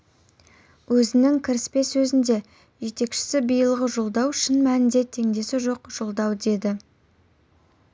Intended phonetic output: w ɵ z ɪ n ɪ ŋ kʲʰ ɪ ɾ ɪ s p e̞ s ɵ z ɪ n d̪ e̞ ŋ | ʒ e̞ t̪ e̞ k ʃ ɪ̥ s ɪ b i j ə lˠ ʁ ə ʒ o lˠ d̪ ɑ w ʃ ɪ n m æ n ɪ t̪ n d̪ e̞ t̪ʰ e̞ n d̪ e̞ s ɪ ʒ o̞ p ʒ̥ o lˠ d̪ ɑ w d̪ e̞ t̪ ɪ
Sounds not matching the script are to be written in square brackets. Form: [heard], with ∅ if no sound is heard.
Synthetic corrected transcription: w ɵ z ɪ n ɪ ŋ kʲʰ ɪ ɾ ɪ s p e̞ s ɵ z ɪ n d̪ e̞ [∅] | ʒ e̞ t̪ e̞ k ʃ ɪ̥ s ɪ b i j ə lˠ ʁ ə ʒ o lˠ d̪ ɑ w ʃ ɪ n m æ n ɪ [∅] n d̪ e̞ t̪ʰ e̞ [ŋ] d̪ e̞ s ɪ ʒ o̞ [q] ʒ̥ o lˠ d̪ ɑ w d̪ e̞ [d̪] ɪ